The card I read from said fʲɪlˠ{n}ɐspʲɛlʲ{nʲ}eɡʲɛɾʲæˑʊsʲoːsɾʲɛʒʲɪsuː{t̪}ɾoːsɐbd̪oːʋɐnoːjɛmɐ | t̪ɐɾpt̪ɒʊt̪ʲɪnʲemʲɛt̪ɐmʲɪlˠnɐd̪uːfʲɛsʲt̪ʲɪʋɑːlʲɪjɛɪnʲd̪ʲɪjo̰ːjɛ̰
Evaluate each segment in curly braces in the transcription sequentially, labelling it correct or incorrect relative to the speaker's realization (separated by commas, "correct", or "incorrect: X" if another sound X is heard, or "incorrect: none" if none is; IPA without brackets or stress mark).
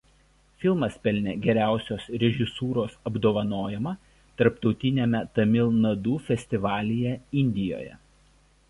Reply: incorrect: m, correct, incorrect: none